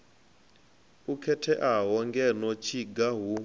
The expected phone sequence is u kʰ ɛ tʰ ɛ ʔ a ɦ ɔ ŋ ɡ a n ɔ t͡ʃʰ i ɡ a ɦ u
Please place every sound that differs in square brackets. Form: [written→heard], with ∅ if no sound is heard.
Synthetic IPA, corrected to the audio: u kʰ ɛ tʰ ɛ ʔ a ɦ ɔ ŋ ɡ [a→ɛ] n ɔ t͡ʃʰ i ɡ a ɦ u